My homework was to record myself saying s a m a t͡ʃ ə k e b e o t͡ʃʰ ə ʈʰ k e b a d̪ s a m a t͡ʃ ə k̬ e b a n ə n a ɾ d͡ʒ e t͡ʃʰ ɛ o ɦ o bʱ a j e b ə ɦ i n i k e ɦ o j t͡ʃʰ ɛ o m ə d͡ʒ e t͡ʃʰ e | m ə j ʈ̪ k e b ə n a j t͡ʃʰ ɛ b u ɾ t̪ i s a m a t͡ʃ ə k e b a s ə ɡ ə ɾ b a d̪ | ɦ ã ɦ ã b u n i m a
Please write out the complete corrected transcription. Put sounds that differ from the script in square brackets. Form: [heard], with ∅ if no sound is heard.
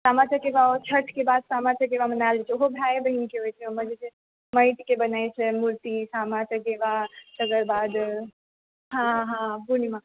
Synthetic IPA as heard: s a m a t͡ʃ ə k e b [a] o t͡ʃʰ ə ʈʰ k e b a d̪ s a m a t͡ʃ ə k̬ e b a [m] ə n a [l] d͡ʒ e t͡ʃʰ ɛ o ɦ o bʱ a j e b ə ɦ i n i k e ɦ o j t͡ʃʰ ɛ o m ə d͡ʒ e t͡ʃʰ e | m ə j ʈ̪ k e b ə n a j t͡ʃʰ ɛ [m] u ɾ t̪ i s a m a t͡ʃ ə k e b a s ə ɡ ə ɾ b a d̪ | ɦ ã ɦ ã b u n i m a